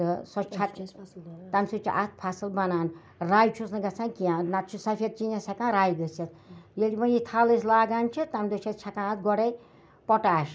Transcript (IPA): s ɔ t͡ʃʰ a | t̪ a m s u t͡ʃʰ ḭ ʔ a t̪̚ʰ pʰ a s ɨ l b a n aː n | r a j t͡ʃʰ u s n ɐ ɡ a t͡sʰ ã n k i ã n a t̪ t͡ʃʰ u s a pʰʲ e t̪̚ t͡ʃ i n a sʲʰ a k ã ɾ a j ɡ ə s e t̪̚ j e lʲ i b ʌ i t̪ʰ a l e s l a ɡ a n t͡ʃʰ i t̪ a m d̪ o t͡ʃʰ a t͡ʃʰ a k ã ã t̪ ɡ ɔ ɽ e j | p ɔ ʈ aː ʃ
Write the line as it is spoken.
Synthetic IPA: s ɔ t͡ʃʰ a | t̪ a m s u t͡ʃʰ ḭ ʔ a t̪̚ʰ pʰ a s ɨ l b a n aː n | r a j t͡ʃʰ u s n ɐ ɡ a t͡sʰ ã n k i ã n a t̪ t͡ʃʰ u s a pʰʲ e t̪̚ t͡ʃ i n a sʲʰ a k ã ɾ a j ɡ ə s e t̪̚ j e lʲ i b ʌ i t̪ʰ a l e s l a ɡ a n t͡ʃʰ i t̪ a m d̪ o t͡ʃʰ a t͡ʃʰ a k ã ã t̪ ɡ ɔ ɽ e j | p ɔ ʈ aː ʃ